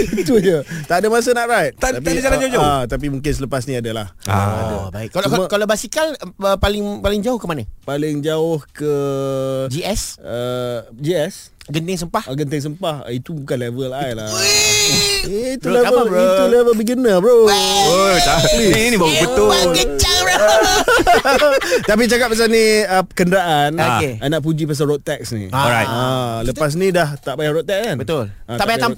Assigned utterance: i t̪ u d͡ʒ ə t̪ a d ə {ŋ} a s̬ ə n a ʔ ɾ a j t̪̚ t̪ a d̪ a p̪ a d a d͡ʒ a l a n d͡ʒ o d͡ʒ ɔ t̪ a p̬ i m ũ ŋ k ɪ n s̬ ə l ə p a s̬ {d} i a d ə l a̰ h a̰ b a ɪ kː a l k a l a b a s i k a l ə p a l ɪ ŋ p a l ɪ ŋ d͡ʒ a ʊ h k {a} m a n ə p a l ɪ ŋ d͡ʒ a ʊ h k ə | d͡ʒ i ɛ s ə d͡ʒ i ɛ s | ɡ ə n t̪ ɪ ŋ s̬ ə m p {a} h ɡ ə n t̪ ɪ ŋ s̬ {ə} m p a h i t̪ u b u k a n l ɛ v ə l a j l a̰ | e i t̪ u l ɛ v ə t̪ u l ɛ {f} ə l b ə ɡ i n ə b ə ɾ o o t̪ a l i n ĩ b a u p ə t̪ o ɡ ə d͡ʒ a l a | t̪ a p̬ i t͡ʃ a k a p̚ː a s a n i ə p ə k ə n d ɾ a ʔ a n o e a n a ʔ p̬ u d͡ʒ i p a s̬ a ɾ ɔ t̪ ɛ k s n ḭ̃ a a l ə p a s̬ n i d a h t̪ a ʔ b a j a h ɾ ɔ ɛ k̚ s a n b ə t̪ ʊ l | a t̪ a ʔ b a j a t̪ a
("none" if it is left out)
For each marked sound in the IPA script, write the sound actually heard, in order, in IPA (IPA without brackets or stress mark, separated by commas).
m, n, ə, a, ə, v